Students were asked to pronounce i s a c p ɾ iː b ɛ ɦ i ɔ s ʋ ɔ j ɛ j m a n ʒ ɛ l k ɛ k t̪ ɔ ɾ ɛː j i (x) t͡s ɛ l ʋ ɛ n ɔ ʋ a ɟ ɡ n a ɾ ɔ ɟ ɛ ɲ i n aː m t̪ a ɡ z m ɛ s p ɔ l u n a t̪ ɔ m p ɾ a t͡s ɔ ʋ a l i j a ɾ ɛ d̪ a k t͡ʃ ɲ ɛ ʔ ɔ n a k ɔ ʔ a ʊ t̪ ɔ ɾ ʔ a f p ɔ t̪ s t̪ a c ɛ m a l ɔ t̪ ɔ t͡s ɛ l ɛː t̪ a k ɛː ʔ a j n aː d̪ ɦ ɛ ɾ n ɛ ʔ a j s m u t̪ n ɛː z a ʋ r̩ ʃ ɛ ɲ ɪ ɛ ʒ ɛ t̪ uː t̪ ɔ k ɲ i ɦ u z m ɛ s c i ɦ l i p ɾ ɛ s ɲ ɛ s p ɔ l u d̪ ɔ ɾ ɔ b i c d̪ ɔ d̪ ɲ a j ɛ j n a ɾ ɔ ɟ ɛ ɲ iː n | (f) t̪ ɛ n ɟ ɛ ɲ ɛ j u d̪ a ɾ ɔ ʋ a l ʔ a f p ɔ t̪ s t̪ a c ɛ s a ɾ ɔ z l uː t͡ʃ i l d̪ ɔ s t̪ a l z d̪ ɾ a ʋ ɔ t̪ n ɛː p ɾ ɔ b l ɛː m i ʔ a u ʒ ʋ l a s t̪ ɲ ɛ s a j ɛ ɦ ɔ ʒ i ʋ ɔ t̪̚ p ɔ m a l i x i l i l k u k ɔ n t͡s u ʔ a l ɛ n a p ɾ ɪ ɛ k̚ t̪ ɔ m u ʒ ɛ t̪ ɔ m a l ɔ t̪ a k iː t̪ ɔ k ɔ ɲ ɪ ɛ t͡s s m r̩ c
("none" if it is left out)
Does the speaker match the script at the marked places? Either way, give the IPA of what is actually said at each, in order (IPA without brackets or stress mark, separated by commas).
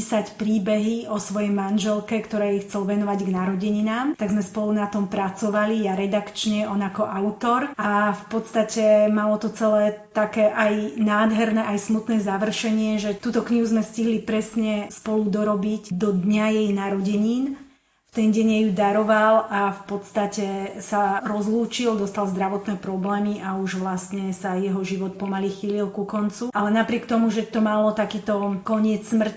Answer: x, f